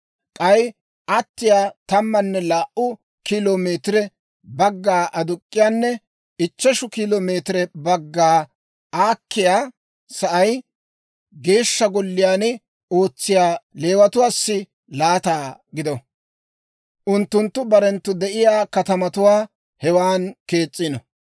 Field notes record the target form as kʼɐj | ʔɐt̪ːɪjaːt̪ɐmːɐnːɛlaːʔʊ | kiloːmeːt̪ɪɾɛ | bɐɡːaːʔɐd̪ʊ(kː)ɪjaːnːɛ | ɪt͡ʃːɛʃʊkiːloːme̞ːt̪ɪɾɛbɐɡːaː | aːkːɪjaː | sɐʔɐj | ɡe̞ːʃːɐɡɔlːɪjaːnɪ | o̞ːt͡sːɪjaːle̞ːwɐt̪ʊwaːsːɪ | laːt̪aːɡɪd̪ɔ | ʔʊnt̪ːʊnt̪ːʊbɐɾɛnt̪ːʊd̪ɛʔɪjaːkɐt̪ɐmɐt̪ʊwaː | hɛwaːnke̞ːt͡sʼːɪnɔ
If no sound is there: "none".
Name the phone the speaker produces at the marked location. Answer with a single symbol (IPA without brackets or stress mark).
kʼː